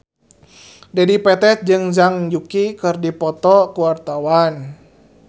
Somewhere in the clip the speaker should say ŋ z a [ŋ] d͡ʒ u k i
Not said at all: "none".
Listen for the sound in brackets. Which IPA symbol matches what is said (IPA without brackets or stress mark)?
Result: ŋ